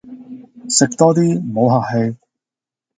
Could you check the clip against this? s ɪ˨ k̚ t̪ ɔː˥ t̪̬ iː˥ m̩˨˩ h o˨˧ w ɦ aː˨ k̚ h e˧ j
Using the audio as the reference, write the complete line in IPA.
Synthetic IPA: s ɪ˨ k̚ t̪ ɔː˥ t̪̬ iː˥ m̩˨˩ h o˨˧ w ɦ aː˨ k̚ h e˧ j